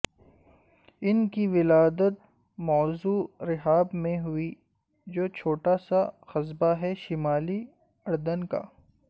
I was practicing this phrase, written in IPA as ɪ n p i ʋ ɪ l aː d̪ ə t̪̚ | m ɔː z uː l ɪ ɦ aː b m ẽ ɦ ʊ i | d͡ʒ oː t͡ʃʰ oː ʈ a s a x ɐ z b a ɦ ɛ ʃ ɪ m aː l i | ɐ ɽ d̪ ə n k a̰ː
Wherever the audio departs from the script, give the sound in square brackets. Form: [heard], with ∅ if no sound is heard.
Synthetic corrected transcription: ɪ n [k] i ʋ ɪ l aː d̪ ə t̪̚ | m ɔː z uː [ɾ] ɪ ɦ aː b m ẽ ɦ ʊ i | d͡ʒ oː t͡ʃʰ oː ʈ a s a x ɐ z b a ɦ ɛ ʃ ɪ m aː l i | ɐ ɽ d̪ ə n k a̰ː